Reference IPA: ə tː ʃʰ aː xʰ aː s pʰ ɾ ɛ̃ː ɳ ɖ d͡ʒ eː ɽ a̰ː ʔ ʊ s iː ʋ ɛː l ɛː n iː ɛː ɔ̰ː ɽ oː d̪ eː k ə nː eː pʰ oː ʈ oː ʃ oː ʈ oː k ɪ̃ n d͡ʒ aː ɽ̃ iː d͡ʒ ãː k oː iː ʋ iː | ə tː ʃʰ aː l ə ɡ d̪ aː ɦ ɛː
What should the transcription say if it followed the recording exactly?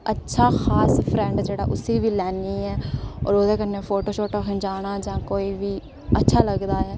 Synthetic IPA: ə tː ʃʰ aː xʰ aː s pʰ ɾ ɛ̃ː ɳ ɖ d͡ʒ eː ɽ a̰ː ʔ ʊ s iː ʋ iː l ɛː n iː ɛː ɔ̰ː ɾ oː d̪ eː k ə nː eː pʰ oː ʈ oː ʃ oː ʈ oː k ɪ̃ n d͡ʒ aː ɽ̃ aː d͡ʒ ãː k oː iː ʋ iː | ə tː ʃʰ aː l ə ɡ d̪ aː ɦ ɛː